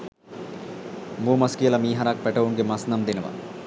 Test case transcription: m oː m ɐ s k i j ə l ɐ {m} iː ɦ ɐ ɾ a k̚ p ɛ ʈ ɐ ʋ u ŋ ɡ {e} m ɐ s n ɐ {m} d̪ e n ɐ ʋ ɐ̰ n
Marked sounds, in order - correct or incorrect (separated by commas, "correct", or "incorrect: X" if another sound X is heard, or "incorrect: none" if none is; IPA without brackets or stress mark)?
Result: correct, correct, correct